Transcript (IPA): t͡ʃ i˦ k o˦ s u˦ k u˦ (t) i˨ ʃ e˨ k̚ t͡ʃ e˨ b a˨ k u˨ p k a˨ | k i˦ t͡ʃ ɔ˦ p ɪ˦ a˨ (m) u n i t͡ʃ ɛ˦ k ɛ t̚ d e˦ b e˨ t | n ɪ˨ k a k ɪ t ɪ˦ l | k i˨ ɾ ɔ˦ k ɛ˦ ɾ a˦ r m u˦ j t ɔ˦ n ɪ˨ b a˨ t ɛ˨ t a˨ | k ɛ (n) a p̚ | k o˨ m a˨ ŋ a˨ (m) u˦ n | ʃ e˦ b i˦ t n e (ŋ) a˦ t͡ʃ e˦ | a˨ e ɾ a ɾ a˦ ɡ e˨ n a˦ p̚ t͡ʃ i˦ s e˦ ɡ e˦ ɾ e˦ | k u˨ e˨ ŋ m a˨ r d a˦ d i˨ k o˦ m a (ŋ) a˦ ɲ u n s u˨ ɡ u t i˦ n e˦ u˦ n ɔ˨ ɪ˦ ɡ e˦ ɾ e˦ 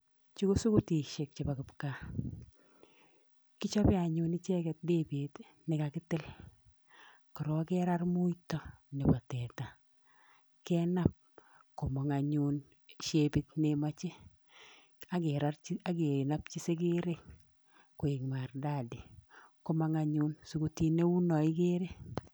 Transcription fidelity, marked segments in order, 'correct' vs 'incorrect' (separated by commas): correct, incorrect, correct, incorrect, incorrect, correct